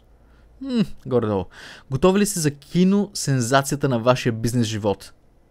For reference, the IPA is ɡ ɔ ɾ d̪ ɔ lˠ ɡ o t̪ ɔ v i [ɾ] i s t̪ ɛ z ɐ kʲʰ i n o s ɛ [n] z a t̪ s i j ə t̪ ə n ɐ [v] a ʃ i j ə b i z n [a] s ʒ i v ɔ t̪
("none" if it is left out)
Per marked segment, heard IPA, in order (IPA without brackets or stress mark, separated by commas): l, n, v, ɛ